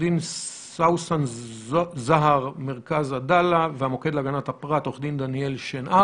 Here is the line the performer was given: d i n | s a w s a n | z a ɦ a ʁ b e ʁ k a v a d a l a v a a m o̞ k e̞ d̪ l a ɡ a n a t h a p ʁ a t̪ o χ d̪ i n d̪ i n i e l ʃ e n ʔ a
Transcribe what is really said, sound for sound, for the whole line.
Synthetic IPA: d i n | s a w s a n | z a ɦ a ʁ m e ʁ k a z a d a l a v e a m o̞ k e̞ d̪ l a ɡ a n a t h a p ʁ a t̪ o χ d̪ i n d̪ a n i e l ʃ e n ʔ a